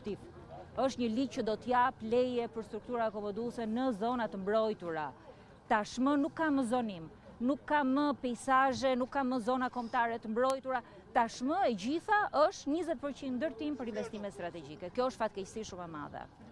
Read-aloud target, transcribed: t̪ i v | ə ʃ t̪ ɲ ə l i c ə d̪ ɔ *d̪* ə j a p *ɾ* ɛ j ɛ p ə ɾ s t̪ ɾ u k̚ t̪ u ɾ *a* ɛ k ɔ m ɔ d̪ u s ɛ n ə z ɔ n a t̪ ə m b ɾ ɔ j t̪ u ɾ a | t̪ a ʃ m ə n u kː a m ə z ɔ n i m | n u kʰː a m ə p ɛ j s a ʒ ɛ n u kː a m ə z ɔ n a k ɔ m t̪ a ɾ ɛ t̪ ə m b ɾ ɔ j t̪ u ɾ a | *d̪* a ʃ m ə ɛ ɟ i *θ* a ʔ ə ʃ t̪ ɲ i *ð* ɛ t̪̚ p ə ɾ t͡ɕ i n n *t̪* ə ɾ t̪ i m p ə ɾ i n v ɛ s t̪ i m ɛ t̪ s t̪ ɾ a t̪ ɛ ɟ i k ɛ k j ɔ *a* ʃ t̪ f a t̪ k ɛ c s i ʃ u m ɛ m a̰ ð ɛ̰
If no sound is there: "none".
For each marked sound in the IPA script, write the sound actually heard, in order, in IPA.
t̪, l, a, t̪, θ, z, d̪, ə

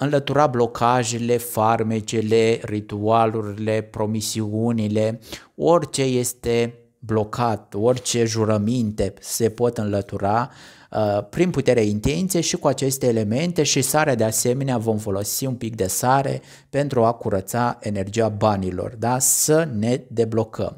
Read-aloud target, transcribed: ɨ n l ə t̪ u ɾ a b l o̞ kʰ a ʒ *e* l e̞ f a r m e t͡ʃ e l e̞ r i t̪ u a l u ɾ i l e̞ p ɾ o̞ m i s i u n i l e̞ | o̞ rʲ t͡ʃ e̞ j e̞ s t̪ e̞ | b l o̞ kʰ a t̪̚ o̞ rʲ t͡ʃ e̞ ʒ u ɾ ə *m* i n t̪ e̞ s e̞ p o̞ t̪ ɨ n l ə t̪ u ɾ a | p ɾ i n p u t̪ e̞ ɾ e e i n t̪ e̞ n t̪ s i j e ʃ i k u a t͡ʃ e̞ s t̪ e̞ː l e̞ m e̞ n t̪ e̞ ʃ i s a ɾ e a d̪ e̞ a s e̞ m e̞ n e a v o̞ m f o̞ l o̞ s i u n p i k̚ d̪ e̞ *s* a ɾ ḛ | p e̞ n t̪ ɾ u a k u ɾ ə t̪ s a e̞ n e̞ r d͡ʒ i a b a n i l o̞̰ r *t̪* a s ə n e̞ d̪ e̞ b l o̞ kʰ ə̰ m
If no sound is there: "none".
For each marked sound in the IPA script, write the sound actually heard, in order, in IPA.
e, m, s, d̪

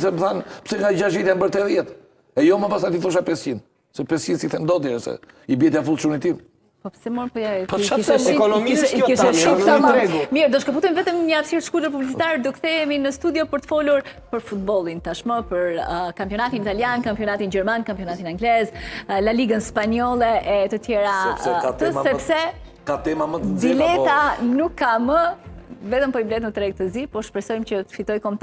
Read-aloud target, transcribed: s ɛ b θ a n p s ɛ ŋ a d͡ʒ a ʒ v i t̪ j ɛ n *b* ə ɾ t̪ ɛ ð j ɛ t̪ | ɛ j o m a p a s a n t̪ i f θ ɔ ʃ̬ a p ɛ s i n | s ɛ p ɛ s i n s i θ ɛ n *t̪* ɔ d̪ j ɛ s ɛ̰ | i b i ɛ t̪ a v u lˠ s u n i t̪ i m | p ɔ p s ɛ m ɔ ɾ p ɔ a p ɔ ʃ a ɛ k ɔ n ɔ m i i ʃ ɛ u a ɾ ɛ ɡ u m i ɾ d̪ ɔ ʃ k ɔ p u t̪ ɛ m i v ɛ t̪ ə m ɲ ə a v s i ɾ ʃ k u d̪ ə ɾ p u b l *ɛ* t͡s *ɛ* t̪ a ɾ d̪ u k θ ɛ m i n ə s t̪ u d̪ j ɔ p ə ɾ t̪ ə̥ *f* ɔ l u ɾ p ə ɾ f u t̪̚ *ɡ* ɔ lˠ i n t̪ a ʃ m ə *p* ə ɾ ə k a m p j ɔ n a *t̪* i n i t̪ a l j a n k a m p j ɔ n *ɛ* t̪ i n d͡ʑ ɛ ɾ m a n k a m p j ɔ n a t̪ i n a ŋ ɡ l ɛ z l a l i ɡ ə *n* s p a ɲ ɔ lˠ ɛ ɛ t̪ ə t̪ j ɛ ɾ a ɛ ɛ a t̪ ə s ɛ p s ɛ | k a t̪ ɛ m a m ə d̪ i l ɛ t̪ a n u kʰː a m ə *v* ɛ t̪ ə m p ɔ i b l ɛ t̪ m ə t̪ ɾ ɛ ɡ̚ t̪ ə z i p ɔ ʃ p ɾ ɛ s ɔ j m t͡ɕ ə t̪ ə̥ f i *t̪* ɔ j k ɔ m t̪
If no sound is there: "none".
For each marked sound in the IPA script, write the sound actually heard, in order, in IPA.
b, d̪, i, i, f, b, p, t̪, a, n, v, t̪

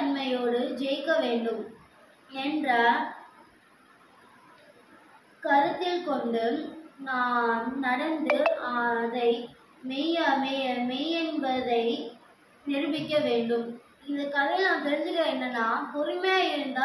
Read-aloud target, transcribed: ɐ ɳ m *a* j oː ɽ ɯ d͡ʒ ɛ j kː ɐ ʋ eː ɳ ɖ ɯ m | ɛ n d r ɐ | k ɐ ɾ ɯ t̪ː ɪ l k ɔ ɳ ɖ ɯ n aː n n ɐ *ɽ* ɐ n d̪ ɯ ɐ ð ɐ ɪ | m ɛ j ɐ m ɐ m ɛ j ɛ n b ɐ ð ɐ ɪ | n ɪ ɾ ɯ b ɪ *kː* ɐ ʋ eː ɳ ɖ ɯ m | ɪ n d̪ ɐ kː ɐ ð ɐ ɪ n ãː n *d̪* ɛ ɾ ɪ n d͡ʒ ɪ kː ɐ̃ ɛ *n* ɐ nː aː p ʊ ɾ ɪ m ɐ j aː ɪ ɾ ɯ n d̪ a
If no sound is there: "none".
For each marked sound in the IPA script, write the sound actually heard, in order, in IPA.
ɐ, ɽ, kː, t̪, nː

